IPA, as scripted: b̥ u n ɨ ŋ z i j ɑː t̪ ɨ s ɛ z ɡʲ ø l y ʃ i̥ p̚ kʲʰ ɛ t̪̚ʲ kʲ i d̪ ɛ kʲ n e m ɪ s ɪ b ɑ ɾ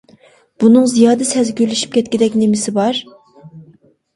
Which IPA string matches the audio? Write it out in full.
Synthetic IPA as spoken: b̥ u n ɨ ŋ z i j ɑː d̪ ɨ s ɛ z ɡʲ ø l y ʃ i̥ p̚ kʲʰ ɛ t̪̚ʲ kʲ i d̪ ɛ kʲ n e m ɪ s ɪ b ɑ ɾ